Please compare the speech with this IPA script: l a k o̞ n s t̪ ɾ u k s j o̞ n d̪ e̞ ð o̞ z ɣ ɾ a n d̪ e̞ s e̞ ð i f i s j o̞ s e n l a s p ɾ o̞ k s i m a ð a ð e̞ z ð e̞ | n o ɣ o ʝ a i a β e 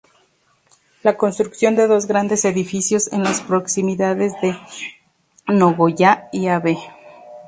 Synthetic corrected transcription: l a k o̞ n s t̪ ɾ u k s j o̞ n d̪ e̞ ð o̞ z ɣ ɾ a n d̪ e̞ s e̞ ð i f i s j o̞ s e n l a s p ɾ o̞ k s i m i ð a ð e̞ z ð e̞ | n o ɣ o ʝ a i a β e